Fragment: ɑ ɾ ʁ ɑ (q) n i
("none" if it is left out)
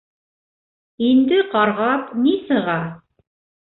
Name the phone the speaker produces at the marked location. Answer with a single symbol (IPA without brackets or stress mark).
p